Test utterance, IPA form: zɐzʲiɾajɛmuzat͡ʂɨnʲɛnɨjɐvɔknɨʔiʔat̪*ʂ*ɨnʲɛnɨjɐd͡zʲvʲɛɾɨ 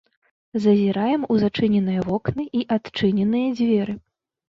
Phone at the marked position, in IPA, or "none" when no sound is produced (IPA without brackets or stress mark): t͡ʂ